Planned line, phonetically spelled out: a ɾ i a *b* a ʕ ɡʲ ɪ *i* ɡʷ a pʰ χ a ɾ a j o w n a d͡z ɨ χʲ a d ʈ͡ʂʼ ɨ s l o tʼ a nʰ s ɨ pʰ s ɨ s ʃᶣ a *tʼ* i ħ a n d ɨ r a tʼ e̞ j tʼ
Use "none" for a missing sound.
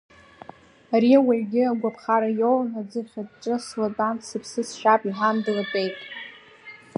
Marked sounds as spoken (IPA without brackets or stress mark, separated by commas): w, a, pʼ